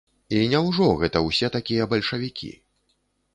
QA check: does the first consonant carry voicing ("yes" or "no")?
yes